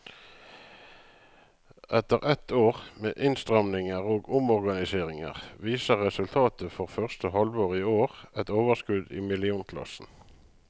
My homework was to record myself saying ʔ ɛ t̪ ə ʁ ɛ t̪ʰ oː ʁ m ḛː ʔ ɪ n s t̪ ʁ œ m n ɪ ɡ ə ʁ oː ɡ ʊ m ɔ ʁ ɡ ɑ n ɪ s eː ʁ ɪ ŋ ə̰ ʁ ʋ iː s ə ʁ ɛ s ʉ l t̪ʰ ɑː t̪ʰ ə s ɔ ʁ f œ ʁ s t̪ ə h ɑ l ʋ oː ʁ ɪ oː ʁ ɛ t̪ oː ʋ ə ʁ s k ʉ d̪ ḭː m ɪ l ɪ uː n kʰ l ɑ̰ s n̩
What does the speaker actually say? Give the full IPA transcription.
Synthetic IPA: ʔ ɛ t̪ ə ʁ ɛ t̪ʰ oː ʁ m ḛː ʔ ɪ n s t̪ ʁ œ m n ɪ ŋ ə ʁ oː ɡ ʊ m ɔ ʁ ɡ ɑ n ɪ s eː ʁ ɪ ŋ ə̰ ʁ ʋ iː s ə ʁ ɛ s ʉ l t̪ʰ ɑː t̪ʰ ə f ɔ ʁ f œ ʁ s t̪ ə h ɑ l ʋ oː ʁ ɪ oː ʁ ɛ t̪ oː ʋ ə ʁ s k ʉ d̪ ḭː m ɪ l ɪ uː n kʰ l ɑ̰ s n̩